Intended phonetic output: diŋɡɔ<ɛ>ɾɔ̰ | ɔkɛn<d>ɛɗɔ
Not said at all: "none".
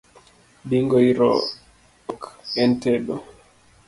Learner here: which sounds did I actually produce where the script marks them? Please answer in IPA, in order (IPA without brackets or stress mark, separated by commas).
i, t